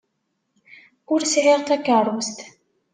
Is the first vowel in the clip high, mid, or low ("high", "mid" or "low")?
high